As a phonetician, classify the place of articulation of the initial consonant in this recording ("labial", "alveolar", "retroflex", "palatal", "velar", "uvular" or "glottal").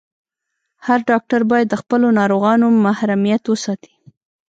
glottal